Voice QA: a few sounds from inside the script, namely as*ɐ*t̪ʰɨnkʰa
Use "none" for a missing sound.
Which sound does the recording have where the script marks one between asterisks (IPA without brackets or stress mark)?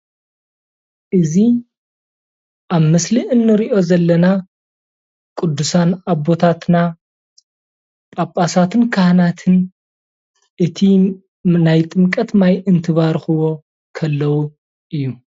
a